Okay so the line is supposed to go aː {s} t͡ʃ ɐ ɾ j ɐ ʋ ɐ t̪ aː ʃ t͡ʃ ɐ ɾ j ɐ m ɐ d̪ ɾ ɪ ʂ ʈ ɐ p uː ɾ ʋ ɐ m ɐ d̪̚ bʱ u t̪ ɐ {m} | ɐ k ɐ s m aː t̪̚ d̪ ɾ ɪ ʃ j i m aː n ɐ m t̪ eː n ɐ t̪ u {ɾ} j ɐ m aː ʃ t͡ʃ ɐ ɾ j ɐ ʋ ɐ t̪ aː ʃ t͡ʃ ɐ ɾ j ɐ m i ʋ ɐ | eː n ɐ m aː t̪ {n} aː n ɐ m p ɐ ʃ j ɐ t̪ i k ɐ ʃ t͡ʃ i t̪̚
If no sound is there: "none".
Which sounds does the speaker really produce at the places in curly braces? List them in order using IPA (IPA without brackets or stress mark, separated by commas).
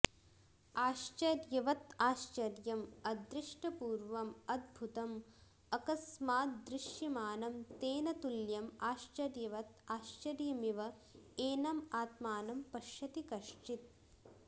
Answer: ʃ, m, l, m